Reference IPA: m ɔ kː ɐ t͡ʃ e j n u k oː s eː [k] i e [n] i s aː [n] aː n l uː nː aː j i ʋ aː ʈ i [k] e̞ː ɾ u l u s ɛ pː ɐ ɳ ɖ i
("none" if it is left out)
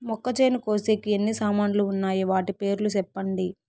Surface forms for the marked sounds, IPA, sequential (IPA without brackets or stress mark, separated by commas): k, nː, m, p